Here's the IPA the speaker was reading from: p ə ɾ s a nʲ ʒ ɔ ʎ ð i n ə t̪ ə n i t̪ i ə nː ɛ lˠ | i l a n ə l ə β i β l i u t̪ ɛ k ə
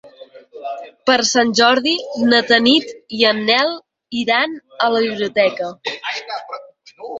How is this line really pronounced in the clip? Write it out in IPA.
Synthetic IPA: p ə ɾ s a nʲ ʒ ɔ ɾ ð i n ə t̪ ə n i t̪ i ə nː ɛ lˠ | i ɾ a n ə l ə β i β l i u t̪ ɛ k ə